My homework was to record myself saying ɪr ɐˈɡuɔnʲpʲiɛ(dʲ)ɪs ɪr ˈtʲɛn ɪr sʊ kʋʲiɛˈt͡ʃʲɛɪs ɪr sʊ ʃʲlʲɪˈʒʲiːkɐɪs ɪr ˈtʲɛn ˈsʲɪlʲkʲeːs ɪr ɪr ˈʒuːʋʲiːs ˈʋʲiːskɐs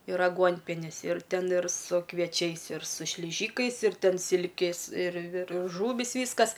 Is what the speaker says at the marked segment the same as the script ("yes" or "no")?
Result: no